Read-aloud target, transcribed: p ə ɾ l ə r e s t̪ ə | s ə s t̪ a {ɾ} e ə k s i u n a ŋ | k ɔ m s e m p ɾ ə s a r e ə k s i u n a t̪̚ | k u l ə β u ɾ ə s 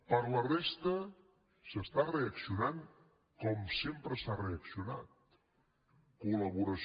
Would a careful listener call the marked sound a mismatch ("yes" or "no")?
yes